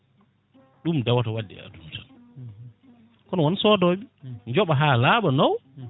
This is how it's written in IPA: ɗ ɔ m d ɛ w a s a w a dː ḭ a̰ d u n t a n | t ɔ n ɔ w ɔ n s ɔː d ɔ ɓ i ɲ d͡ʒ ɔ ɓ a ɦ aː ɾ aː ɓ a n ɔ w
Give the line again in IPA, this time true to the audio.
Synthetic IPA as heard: ɗ u m d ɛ w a t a w a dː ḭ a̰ d u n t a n | k ɔ n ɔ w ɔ n s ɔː d ɔ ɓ i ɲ d͡ʒ ɔ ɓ a ɦ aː l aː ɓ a n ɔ w

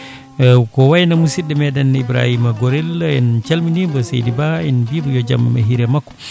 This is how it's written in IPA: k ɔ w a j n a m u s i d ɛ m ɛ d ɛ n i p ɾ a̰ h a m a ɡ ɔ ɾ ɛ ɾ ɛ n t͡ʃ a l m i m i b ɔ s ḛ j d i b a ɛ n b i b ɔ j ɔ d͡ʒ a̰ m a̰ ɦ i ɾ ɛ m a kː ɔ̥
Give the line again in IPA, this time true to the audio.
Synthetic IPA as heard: k ɔ w a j n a m u s i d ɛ m ɛ d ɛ n i b ɾ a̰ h i m a ɡ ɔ ɾ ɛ l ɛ n t͡ʃ a l m i n i b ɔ s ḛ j d i b a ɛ n b i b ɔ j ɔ d͡ʒ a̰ m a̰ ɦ i ɾ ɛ m a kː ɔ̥

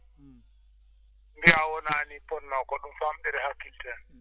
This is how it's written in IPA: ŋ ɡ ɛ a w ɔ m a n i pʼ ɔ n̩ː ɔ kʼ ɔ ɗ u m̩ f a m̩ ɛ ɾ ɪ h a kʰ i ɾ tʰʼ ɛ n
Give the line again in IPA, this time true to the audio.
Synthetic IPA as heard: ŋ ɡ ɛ a w ɔ n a n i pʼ ɔ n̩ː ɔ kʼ ɔ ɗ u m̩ f a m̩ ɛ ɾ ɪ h a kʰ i l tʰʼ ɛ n

